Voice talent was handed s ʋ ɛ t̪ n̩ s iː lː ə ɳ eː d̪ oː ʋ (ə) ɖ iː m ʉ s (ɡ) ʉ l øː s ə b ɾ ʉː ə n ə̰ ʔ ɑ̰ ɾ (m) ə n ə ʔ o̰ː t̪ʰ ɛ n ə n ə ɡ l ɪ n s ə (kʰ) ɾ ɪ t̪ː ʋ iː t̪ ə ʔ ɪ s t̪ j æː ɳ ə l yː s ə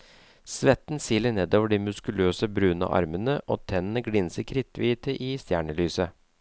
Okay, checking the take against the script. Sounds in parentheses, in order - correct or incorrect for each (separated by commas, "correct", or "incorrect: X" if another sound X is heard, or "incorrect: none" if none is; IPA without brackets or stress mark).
correct, incorrect: k, correct, correct